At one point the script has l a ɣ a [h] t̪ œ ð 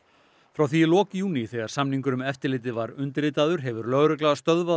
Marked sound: incorrect: s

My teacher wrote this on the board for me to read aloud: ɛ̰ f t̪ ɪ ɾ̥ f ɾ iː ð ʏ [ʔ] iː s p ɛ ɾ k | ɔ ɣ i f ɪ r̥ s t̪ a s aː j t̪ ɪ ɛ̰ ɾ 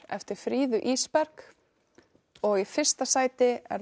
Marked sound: correct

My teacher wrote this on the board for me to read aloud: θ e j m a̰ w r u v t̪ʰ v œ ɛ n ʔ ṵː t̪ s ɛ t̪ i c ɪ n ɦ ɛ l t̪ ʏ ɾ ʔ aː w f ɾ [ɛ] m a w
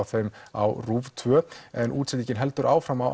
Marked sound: incorrect: a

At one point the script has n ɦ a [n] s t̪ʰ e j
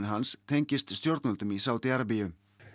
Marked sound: correct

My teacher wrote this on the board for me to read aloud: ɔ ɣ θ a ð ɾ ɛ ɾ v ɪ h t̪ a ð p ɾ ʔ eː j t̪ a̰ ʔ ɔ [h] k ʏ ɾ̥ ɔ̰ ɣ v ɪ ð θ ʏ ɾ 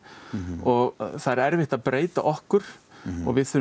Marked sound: correct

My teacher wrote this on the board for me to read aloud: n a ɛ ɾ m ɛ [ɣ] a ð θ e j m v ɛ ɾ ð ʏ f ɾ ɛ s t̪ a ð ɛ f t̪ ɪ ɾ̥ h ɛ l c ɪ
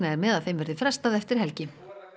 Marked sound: incorrect: ð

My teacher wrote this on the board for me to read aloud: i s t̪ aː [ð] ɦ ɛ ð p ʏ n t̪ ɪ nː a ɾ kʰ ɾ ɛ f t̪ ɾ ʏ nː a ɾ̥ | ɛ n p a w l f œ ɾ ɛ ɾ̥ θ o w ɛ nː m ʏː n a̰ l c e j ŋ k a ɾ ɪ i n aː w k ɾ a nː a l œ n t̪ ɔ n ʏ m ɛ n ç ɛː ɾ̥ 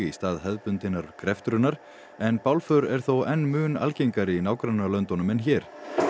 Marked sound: correct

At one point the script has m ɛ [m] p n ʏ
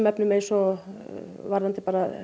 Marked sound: incorrect: none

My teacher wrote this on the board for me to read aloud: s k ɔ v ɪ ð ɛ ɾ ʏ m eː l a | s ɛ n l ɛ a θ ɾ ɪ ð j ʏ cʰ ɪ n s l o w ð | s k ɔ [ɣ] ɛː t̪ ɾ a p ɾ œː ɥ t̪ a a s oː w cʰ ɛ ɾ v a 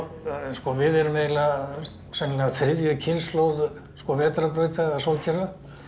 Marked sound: incorrect: v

